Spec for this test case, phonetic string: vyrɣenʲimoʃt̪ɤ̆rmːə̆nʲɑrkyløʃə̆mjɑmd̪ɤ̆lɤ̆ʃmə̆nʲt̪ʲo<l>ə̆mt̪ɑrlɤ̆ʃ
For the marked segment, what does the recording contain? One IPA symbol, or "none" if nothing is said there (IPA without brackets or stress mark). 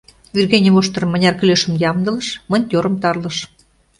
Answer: ɾ